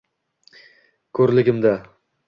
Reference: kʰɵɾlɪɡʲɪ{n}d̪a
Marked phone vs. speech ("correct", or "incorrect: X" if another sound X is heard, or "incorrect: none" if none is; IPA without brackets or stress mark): incorrect: m